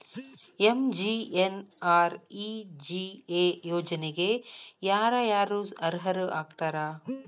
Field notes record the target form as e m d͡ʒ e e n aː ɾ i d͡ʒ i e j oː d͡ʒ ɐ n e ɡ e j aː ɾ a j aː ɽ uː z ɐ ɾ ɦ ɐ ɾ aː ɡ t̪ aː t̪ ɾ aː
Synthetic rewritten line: e m d͡ʒ i e n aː ɾ i d͡ʒ i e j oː d͡ʒ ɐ n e ɡ e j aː ɾ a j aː ɾ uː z ɐ ɾ ɦ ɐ ɾ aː ɡ t̪ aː ɾ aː